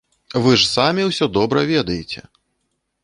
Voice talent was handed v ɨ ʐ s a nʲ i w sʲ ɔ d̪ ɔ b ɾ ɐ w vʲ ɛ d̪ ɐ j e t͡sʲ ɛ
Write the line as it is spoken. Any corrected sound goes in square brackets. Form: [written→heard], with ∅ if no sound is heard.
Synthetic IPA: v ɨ ʐ s a [nʲ→mʲ] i w sʲ ɔ d̪ ɔ b ɾ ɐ [w→∅] vʲ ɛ d̪ ɐ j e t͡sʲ ɛ